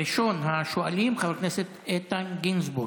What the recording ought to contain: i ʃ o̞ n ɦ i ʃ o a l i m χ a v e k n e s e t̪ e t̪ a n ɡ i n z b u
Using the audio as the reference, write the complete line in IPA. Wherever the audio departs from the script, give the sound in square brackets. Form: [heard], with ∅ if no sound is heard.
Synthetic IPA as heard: i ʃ o̞ n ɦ [a] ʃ o a l i m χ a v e k n e s e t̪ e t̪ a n ɡ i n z b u